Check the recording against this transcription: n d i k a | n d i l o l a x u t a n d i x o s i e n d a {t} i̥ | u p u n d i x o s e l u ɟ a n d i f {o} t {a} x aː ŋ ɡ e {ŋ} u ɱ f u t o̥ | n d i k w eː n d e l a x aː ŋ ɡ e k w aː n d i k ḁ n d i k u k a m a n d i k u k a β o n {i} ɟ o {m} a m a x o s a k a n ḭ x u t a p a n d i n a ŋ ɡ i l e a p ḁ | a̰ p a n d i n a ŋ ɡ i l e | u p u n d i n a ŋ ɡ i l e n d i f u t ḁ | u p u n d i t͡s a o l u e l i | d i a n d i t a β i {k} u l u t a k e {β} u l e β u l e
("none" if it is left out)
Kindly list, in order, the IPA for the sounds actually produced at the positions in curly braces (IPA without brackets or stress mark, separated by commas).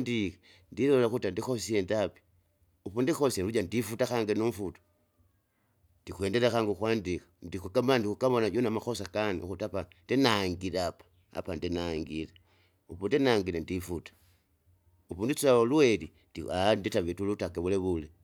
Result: p, u, a, n, a, n, t, β